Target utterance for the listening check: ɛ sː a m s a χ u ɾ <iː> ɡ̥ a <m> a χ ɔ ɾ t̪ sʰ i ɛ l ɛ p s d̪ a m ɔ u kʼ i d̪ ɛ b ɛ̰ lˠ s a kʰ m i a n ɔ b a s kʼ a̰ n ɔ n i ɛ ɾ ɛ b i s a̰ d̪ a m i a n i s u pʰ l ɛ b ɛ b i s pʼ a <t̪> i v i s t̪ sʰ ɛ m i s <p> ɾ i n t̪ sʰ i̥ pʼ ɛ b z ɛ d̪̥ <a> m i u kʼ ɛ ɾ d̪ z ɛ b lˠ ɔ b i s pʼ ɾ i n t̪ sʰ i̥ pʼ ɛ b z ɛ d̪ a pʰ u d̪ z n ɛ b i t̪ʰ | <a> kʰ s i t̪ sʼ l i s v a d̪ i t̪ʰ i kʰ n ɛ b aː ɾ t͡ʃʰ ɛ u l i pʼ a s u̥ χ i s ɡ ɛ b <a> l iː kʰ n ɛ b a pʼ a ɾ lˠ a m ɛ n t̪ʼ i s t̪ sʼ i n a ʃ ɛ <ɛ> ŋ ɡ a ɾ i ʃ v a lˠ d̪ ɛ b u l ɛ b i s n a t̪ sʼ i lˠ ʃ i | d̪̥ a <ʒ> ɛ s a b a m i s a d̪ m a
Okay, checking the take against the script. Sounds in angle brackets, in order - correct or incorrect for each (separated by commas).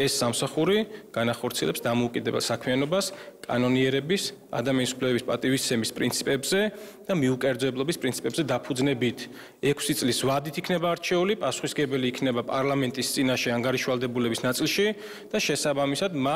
incorrect, incorrect, incorrect, incorrect, correct, incorrect, incorrect, incorrect, incorrect